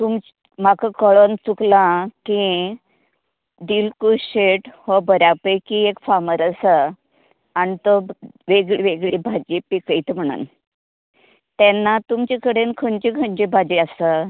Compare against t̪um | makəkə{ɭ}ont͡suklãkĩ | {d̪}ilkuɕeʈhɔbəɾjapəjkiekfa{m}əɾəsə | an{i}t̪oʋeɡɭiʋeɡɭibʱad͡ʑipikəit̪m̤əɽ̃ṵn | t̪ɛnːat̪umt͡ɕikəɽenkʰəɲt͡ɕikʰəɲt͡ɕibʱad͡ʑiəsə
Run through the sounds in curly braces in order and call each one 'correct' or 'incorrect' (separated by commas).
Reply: correct, correct, correct, correct